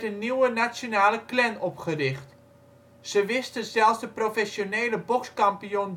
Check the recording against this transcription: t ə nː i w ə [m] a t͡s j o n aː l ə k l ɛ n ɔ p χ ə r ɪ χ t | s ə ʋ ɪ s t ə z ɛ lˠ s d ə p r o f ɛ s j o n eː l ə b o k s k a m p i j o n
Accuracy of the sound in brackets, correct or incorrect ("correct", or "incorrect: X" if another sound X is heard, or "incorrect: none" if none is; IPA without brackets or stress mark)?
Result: incorrect: n